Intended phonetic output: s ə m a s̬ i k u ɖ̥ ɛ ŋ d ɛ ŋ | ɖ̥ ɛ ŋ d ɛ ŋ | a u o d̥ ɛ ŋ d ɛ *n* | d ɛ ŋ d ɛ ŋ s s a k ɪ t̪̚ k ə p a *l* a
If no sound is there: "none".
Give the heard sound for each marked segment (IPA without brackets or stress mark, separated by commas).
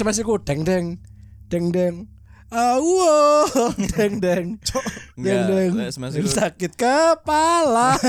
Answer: ŋ, l